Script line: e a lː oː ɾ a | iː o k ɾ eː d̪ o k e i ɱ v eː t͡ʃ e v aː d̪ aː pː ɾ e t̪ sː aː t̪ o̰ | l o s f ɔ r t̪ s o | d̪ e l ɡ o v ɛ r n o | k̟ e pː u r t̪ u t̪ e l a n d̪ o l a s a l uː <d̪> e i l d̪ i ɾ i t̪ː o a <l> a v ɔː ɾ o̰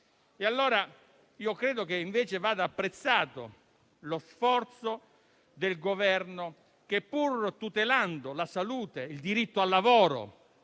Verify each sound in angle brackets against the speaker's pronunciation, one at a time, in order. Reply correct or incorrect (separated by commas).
incorrect, incorrect